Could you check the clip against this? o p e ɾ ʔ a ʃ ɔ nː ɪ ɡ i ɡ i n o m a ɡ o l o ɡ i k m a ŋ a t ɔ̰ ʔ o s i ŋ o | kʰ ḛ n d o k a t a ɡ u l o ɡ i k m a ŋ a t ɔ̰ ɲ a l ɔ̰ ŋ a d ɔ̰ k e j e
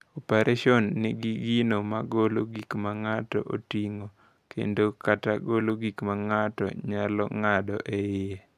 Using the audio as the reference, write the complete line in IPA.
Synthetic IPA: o p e ɾ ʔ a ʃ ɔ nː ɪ ɡ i ɡ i n o m a ɡ o l o ɡ i k m a ŋ a t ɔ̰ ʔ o t i ŋ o | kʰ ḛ n d o k a t a ɡ o l o ɡ i k m a ŋ a t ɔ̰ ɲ a l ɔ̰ ŋ a d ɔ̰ ʔ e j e